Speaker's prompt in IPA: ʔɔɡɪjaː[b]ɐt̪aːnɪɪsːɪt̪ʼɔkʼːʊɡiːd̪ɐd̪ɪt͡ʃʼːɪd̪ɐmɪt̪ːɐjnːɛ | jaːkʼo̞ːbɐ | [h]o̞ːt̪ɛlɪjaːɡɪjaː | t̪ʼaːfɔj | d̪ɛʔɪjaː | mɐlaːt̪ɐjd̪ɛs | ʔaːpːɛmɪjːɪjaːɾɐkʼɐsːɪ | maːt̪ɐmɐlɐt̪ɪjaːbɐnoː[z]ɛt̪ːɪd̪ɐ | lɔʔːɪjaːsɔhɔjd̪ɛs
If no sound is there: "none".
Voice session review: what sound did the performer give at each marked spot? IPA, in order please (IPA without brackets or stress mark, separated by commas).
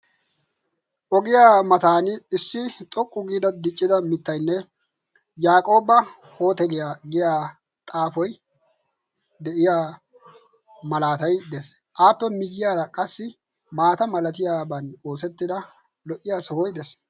m, h, s